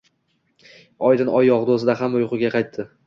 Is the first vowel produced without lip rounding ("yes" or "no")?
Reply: no